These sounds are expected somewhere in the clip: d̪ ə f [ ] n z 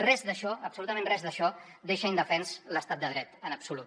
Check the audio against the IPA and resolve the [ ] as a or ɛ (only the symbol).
ɛ